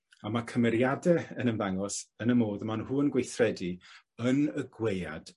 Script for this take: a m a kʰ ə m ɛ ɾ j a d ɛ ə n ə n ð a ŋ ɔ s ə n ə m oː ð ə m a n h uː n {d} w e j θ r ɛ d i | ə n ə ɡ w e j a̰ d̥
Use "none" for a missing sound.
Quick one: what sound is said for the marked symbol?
ɡ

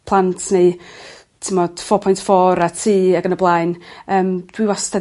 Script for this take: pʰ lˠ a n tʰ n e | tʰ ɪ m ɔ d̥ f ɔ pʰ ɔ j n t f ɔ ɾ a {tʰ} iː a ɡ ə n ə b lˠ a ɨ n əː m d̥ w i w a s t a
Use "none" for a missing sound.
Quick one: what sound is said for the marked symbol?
tʰ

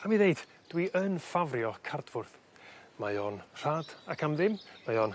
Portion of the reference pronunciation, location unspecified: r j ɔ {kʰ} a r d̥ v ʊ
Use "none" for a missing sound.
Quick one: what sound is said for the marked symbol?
kʰ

